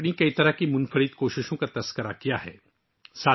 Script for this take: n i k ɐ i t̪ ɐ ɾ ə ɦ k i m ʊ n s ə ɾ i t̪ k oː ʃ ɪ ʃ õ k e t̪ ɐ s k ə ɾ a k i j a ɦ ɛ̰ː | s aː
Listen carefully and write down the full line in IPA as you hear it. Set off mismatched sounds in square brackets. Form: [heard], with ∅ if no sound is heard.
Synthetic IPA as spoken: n i k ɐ i t̪ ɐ ɾ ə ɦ k i m ʊ n [f] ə ɾ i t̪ k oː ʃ ɪ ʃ õ k [a] t̪ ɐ s k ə ɾ a k i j a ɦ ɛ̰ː | s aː